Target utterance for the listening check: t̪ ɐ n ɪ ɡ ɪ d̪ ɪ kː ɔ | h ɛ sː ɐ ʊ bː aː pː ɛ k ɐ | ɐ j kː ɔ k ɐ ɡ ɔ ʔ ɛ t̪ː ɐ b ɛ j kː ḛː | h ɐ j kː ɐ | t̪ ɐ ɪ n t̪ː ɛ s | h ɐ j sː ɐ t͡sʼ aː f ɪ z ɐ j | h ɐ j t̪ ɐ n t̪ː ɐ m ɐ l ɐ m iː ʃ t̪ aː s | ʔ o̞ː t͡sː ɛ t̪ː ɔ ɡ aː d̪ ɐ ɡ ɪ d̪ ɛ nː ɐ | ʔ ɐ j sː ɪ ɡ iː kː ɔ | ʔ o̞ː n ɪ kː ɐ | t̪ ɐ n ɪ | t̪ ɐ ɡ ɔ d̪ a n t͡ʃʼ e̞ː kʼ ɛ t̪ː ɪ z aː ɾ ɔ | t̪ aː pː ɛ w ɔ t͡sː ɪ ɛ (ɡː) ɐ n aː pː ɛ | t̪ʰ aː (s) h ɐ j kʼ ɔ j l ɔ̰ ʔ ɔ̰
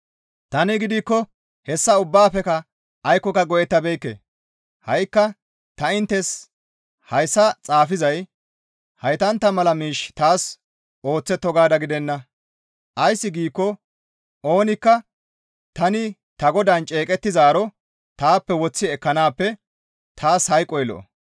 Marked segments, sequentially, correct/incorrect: incorrect: kː, correct

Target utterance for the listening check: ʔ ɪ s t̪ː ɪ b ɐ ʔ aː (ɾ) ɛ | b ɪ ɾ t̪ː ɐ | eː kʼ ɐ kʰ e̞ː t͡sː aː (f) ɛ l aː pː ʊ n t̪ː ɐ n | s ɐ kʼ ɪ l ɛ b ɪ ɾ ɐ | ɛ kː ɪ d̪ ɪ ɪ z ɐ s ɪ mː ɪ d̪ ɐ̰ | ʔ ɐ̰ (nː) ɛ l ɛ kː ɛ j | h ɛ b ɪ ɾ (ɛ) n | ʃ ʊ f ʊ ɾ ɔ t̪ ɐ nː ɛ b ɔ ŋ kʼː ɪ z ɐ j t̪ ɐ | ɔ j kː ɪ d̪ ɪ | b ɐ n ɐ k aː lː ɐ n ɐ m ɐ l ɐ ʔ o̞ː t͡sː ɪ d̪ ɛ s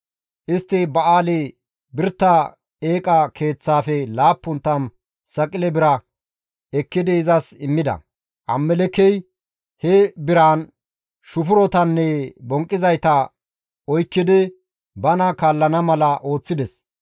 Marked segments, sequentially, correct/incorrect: incorrect: l, correct, incorrect: mː, incorrect: a

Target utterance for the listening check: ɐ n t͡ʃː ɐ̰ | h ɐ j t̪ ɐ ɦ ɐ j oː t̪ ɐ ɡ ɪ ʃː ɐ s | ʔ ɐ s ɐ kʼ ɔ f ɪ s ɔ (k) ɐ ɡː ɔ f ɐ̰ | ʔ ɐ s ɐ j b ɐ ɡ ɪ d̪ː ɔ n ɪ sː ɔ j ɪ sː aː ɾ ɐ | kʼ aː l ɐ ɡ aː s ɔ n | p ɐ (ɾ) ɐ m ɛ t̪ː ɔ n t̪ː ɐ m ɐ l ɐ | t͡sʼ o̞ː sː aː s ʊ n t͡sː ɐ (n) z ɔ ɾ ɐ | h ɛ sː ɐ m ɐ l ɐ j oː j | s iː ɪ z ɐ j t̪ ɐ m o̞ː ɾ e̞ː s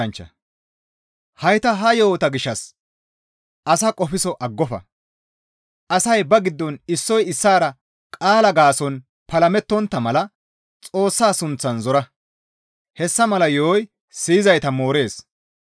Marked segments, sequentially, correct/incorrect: incorrect: ʔ, incorrect: l, correct

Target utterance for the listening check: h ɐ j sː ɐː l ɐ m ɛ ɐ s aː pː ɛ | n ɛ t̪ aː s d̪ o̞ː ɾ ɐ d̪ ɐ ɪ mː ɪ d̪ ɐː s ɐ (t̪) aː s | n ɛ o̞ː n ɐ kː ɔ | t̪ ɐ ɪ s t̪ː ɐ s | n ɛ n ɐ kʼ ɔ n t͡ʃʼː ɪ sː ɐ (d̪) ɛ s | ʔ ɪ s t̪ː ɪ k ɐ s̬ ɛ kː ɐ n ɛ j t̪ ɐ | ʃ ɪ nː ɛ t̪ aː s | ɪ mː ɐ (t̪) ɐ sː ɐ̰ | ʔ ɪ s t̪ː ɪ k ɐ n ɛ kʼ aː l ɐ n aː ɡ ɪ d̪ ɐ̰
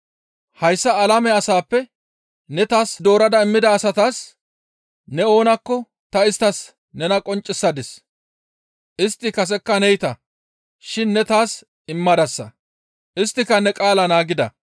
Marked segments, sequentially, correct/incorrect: correct, correct, incorrect: d̪

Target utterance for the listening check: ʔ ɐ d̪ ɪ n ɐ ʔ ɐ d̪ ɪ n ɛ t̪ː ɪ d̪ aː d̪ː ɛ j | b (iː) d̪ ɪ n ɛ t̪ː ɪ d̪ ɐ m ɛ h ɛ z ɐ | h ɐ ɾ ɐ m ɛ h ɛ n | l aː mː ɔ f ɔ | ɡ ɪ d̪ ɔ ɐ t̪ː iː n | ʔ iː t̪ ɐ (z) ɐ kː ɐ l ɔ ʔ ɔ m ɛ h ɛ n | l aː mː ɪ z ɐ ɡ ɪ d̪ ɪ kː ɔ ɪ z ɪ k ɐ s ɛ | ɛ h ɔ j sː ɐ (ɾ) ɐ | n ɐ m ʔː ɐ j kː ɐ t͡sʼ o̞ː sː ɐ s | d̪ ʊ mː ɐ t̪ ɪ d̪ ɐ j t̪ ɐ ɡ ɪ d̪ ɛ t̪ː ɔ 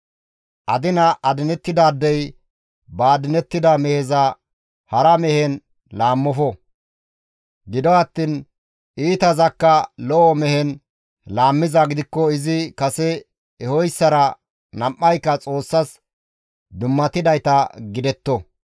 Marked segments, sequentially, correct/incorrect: incorrect: aː, correct, correct

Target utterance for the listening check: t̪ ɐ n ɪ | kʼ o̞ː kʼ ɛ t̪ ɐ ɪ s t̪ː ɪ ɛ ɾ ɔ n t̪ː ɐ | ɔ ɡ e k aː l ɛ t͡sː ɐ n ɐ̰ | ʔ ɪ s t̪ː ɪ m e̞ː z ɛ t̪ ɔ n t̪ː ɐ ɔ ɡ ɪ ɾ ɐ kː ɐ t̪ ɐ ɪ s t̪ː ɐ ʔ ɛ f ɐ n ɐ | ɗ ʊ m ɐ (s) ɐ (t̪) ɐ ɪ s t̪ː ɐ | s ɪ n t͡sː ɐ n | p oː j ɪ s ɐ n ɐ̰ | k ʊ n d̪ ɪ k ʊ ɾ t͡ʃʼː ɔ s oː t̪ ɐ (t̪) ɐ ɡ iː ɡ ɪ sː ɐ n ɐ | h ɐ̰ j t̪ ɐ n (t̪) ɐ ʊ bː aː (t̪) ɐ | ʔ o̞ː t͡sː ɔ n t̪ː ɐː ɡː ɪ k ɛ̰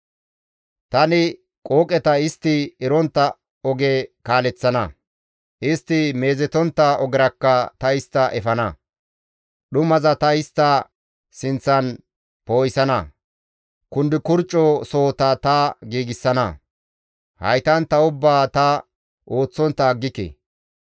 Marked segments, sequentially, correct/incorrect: incorrect: z, correct, correct, correct, correct

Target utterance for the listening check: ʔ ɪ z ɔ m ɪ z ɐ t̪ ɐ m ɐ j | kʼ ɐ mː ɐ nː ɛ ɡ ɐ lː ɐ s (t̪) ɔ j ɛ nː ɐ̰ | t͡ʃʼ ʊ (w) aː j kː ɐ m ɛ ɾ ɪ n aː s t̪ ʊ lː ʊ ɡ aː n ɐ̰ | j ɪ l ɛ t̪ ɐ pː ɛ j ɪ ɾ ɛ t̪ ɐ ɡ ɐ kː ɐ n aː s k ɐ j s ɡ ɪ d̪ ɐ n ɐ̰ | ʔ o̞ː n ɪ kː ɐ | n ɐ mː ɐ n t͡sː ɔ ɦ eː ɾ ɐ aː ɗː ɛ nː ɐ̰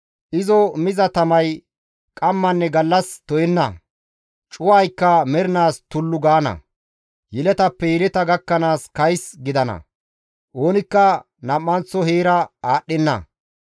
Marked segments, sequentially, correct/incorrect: correct, correct

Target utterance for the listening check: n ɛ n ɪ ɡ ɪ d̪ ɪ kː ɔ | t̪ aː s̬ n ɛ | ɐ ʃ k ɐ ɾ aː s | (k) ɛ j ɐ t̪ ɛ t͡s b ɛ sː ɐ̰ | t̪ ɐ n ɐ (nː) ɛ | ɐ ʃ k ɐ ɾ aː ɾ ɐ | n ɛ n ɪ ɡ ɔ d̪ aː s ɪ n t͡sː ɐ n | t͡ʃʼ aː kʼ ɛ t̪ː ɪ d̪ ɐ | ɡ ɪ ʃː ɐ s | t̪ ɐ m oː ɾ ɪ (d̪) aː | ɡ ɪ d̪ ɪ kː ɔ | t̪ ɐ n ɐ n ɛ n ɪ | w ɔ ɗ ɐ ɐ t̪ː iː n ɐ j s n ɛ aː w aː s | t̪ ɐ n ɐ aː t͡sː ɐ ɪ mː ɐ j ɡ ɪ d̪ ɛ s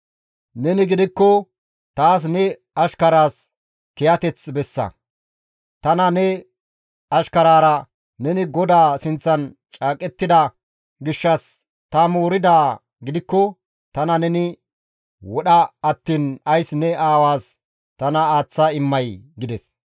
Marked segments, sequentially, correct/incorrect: correct, incorrect: n, correct

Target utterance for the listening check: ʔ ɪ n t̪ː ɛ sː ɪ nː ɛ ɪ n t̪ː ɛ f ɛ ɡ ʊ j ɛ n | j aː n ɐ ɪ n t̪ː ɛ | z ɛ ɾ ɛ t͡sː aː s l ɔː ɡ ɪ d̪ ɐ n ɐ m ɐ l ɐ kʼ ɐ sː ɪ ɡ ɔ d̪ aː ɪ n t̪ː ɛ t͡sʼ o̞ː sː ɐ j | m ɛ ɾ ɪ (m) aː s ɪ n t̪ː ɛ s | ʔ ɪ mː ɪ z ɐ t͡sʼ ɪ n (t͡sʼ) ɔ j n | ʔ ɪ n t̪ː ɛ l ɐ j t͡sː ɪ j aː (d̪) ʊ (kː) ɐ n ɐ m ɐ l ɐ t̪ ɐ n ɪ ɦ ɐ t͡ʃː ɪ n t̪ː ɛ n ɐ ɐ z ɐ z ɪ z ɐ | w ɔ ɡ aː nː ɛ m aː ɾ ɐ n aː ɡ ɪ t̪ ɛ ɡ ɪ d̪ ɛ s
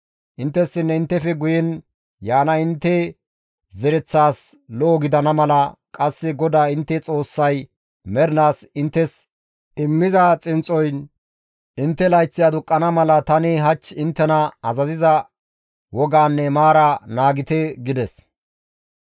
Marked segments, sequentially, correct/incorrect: incorrect: n, correct, correct, incorrect: kʼː

